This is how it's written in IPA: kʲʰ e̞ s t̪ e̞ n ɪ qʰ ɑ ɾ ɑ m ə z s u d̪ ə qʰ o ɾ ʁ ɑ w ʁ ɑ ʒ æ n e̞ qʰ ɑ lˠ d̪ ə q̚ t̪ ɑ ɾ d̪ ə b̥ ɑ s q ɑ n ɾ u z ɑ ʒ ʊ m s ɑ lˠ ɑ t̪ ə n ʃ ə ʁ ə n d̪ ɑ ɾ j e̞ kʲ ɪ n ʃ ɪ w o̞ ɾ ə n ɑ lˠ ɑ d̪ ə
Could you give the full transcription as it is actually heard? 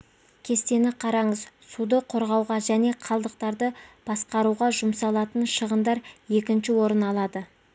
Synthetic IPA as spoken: kʲʰ e̞ s t̪ e̞ n ɪ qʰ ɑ ɾ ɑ ɴ ə z s u d̪ ə qʰ o ɾ ʁ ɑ w ʁ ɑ ʒ æ n e̞ qʰ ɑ lˠ d̪ ə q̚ t̪ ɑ ɾ d̪ ə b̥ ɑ s q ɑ ɾ u ʁ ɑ ʒ ʊ m s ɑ lˠ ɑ t̪ ə n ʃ ə ʁ ə n d̪ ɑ ɾ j e̞ kʲ ɪ n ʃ ɪ w o̞ ɾ ə n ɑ lˠ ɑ d̪ ə